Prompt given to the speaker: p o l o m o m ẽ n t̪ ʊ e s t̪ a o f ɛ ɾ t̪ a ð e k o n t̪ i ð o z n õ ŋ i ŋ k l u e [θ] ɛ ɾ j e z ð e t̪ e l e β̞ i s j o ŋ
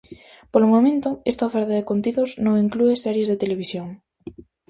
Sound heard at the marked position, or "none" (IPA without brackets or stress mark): s